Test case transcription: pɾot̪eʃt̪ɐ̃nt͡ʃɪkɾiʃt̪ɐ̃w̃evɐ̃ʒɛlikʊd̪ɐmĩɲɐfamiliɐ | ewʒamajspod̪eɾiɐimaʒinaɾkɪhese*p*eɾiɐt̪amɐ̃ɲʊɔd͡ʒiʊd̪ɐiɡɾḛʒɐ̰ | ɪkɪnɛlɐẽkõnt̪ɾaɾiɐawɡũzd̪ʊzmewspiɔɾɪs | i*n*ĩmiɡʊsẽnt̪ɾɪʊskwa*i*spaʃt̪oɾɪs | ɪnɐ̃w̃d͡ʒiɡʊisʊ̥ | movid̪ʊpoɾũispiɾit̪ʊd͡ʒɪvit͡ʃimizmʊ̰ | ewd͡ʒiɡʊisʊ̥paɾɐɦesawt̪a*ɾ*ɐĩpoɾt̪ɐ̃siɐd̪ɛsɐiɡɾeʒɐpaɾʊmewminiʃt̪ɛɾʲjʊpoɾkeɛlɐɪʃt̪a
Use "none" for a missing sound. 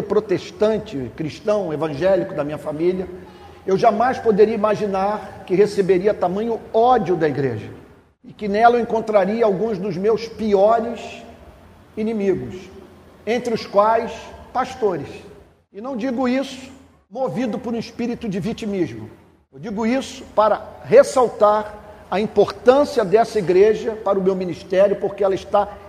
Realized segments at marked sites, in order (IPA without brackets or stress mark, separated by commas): b, n, j, ɾ